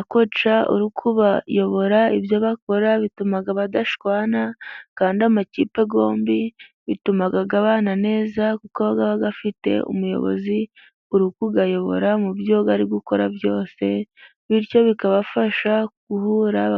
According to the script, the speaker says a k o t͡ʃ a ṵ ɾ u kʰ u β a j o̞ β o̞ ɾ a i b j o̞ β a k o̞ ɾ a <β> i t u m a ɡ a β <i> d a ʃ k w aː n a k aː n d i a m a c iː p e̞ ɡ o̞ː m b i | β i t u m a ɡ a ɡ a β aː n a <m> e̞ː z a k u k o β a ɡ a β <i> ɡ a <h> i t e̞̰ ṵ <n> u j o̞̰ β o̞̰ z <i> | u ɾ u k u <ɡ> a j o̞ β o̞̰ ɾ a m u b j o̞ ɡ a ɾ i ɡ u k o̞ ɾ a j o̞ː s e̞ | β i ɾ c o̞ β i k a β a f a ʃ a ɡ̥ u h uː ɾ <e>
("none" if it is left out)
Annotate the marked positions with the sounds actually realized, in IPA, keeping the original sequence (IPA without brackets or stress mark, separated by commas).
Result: β, a, n, a, f, m, i, ɡ, a